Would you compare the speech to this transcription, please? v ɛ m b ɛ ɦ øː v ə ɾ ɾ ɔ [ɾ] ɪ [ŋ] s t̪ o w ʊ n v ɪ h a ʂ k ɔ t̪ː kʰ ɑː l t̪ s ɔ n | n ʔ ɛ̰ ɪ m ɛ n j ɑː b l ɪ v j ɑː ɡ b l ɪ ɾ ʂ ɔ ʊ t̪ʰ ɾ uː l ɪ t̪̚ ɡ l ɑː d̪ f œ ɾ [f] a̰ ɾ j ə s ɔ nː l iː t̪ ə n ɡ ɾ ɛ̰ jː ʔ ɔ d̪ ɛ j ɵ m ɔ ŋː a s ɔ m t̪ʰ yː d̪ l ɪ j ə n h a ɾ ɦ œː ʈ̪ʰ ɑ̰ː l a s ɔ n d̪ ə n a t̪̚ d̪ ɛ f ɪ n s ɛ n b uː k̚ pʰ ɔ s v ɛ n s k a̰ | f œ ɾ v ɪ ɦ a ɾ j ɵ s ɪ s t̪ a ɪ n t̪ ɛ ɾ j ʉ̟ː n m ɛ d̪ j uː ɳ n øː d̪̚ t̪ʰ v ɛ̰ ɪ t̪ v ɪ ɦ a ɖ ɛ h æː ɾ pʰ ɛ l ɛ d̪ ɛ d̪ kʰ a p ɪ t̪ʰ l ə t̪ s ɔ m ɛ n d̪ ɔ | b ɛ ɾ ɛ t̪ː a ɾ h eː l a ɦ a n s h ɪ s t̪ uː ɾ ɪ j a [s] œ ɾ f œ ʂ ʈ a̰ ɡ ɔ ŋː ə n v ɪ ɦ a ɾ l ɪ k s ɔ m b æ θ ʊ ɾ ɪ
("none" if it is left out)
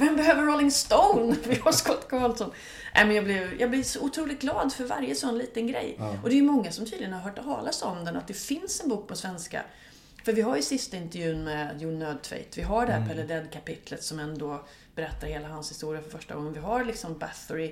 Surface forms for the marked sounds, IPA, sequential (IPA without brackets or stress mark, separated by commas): l, ŋ, v, f